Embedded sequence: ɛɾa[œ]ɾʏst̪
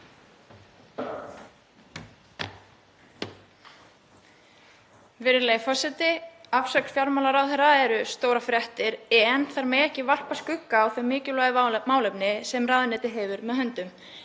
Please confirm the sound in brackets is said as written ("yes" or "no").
no